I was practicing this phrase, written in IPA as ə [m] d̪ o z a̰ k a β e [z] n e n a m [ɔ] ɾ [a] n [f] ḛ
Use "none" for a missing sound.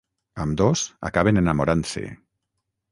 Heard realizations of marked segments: m, none, o, a, s

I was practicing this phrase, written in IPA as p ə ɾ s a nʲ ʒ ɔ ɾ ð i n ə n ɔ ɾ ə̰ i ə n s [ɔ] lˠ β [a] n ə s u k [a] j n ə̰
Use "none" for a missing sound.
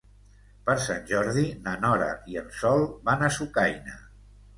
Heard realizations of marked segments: ɔ, a, a

